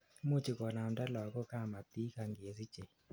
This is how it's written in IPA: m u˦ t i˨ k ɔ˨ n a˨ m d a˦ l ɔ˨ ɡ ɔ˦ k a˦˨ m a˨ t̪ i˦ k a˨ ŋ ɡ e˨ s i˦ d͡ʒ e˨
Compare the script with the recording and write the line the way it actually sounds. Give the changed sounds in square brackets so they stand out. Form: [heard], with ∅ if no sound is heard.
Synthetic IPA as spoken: m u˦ [t͡ʃ] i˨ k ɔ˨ n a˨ m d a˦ l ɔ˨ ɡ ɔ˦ k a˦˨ m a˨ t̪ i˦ k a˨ ŋ ɡ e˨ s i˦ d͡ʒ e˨